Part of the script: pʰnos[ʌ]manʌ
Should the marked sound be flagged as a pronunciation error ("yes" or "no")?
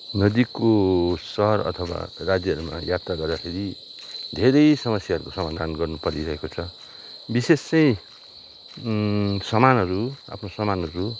no